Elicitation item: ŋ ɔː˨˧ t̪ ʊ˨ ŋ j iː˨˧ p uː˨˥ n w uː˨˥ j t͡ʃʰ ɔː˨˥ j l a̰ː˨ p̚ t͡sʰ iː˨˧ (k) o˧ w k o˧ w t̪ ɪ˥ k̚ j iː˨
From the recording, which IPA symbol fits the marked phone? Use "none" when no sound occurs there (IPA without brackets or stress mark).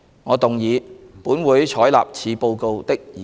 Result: p